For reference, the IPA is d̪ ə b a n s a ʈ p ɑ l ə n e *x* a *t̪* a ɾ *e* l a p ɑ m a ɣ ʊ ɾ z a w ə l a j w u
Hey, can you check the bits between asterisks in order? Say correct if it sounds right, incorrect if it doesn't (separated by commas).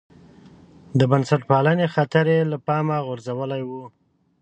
correct, correct, correct